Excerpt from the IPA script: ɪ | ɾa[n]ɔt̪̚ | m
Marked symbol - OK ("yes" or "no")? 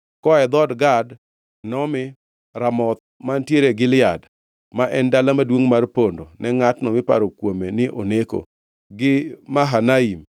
no